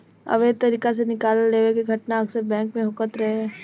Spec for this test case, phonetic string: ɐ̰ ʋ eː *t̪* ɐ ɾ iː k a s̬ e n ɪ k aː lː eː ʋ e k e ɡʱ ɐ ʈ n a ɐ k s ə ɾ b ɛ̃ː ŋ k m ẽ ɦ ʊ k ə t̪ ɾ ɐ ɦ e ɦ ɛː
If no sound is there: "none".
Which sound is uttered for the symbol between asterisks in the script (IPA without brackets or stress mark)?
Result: t̪